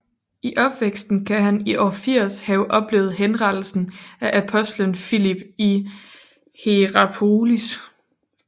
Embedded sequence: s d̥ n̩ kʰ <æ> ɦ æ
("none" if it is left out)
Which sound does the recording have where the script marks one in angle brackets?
æ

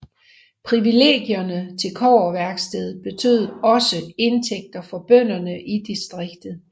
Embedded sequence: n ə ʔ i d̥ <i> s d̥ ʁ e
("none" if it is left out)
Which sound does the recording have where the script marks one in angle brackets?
i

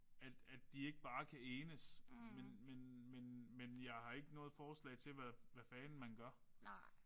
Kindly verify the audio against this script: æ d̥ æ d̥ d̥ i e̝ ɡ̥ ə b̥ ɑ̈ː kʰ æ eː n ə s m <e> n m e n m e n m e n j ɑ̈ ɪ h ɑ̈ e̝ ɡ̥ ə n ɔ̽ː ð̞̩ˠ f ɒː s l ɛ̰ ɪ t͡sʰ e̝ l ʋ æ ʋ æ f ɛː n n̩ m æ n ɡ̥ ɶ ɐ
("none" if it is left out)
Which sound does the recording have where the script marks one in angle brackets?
e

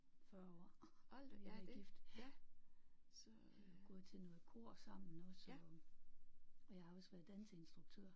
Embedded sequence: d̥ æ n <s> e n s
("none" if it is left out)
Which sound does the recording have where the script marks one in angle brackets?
s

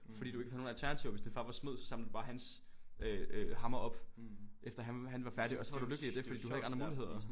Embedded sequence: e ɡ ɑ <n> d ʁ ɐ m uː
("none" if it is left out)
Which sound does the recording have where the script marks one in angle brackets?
n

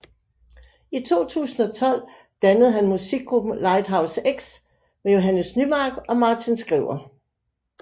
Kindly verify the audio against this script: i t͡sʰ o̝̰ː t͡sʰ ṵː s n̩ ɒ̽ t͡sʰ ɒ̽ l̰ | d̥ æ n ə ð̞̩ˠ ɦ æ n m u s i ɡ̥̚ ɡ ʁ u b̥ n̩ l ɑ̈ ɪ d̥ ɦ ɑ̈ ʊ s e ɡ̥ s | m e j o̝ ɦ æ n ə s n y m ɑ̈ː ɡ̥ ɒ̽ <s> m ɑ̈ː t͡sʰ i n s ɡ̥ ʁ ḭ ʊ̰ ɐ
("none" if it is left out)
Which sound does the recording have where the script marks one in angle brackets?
none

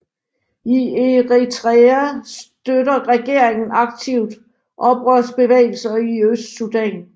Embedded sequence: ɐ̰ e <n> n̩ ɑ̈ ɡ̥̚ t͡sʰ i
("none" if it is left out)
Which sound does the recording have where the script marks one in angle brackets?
ŋ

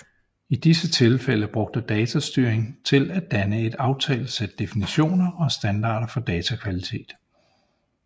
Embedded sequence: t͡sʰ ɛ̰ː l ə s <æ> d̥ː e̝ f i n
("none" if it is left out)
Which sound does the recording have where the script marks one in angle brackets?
e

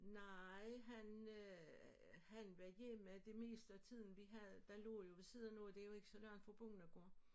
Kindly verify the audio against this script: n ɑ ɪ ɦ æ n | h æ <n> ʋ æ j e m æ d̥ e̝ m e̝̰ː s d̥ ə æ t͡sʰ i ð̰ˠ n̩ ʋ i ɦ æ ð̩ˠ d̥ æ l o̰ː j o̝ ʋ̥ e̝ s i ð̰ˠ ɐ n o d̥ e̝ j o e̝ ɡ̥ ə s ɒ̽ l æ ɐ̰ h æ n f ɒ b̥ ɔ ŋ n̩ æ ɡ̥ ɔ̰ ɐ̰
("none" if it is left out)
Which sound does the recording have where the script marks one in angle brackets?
n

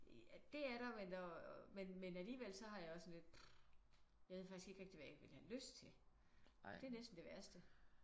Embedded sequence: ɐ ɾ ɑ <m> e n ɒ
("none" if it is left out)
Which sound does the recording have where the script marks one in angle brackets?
m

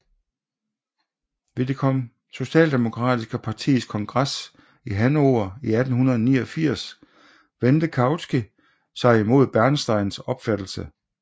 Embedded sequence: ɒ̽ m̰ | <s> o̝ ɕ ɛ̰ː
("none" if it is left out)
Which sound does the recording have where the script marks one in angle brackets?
s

